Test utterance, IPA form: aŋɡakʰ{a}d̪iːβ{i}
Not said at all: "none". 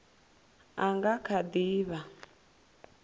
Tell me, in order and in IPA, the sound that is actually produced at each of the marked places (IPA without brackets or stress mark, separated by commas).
a, a